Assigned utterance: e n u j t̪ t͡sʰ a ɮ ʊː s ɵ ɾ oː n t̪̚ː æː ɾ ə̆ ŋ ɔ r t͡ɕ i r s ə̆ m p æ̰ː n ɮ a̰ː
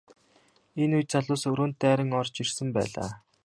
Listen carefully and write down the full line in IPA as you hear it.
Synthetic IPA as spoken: e n u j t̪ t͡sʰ a ɮ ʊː s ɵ ɾ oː n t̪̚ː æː ɾ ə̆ ŋ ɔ r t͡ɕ i r s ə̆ m p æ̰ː ɮ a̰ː